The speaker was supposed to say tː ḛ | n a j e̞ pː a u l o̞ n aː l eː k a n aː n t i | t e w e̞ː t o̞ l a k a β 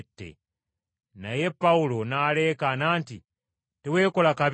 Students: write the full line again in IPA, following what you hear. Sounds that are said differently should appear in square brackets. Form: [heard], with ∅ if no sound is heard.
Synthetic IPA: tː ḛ | n a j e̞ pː a u l o̞ n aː l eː k a n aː n t i | t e w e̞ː [k] o̞ l a k a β